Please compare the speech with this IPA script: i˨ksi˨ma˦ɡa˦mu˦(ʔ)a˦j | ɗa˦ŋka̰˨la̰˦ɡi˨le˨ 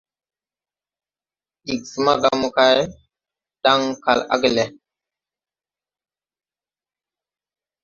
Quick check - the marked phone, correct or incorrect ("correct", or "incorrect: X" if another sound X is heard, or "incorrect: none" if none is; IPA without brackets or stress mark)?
incorrect: k